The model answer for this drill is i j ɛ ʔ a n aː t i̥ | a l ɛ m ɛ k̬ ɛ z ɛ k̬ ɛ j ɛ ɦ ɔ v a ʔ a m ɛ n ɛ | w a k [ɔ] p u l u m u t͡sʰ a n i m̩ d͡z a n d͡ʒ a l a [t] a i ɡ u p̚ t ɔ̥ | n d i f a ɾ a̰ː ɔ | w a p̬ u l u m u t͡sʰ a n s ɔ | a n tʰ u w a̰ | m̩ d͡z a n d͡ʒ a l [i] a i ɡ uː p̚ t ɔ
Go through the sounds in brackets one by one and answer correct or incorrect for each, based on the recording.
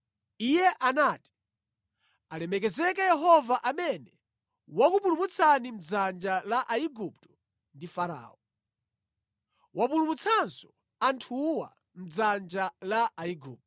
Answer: incorrect: u, incorrect: ʔ, incorrect: a

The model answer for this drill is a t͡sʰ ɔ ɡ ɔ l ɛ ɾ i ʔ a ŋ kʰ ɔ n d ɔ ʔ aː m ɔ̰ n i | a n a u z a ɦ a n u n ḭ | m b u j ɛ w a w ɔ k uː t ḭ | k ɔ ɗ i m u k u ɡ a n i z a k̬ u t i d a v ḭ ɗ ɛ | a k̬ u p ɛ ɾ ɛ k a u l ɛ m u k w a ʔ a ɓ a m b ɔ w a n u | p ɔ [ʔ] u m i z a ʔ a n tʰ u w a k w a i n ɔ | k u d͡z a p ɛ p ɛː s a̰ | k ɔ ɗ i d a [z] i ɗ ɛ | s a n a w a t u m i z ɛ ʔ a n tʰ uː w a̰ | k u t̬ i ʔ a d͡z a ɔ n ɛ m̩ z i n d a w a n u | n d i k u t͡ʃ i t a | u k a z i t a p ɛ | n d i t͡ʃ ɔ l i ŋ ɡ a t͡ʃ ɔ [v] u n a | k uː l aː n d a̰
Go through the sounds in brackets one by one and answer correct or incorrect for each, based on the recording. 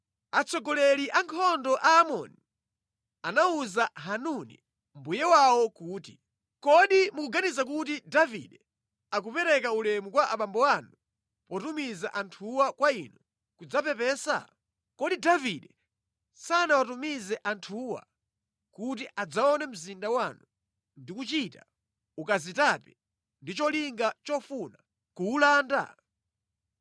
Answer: incorrect: t, incorrect: v, incorrect: f

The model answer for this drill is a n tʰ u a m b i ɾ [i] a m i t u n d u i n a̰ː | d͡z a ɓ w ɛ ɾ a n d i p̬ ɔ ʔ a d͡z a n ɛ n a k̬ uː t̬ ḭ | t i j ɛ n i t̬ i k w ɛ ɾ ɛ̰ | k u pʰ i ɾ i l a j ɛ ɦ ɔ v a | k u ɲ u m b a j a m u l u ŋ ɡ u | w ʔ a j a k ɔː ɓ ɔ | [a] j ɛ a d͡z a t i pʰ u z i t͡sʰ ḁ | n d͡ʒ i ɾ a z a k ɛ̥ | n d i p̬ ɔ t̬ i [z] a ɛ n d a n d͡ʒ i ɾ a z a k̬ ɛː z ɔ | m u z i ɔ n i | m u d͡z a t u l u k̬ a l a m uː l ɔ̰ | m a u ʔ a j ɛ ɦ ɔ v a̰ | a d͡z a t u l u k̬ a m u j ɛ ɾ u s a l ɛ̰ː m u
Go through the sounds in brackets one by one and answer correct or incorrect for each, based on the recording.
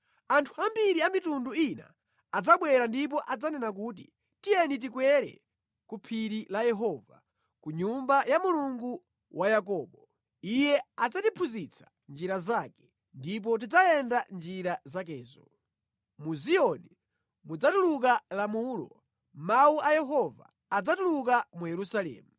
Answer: correct, incorrect: i, incorrect: d͡z

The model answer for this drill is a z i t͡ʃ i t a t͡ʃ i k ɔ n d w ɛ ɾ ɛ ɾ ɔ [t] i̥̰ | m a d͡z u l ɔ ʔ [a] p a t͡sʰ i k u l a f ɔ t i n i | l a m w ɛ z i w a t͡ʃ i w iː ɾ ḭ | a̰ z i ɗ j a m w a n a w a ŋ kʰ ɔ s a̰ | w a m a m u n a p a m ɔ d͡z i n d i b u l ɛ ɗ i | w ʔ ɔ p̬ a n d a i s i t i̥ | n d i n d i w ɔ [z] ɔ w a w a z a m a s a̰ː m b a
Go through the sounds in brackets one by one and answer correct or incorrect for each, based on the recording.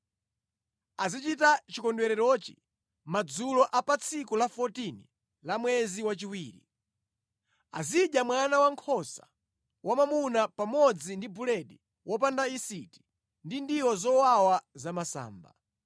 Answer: incorrect: t͡ʃ, correct, correct

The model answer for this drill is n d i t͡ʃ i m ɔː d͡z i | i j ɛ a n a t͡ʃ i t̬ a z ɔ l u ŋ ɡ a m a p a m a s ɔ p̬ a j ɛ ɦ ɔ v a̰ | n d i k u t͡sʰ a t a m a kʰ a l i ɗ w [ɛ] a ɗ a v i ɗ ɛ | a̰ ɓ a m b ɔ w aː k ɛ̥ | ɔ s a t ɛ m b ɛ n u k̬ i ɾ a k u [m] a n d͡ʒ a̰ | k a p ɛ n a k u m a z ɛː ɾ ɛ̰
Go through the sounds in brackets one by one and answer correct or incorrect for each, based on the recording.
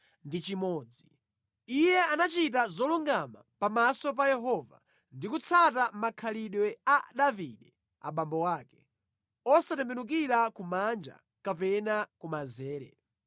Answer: correct, correct

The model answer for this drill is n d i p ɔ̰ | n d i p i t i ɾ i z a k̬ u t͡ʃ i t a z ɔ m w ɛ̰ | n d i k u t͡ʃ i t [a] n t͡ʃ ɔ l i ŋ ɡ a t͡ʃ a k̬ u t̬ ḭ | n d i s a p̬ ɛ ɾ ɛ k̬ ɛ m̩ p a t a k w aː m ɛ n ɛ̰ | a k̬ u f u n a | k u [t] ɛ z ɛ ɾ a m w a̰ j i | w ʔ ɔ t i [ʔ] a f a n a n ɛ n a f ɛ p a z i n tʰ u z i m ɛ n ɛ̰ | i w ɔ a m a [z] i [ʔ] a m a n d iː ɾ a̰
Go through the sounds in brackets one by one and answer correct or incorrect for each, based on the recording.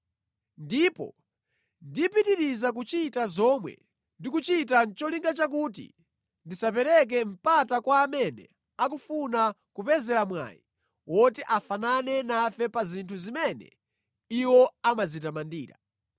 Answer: correct, incorrect: p, correct, correct, incorrect: t

